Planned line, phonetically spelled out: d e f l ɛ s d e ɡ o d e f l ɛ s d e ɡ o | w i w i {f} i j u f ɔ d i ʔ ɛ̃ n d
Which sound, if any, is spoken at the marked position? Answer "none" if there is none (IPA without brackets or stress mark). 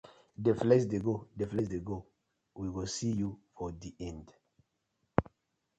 s